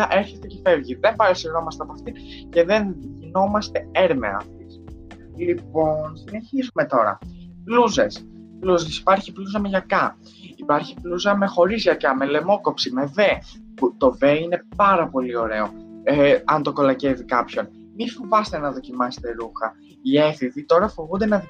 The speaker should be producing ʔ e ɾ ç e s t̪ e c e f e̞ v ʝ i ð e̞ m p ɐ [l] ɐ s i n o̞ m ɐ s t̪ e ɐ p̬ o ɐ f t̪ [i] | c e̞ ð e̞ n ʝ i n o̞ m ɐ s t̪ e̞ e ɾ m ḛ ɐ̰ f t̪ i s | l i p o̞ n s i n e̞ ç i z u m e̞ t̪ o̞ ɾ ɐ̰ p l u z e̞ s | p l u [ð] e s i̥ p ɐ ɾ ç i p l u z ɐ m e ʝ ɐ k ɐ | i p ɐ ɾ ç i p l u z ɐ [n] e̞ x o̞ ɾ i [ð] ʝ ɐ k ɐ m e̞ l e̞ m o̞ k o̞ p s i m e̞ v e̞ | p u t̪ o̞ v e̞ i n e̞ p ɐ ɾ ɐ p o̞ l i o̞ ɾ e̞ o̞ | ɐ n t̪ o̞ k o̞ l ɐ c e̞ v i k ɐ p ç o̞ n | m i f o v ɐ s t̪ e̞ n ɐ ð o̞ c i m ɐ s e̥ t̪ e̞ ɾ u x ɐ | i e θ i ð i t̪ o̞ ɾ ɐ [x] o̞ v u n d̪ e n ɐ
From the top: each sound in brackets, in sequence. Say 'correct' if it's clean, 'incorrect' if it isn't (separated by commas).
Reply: incorrect, correct, incorrect, incorrect, incorrect, incorrect